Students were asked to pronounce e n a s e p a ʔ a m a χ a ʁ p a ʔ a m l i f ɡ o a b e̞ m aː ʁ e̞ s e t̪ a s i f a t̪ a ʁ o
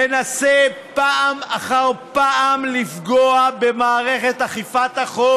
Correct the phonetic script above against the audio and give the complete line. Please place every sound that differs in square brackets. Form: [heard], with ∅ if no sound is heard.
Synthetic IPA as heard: e n a s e p a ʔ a m a χ a ʁ p a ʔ a m l i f ɡ o a b e̞ m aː ʁ e̞ [χ] e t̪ a [χ] i f a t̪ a [χ] o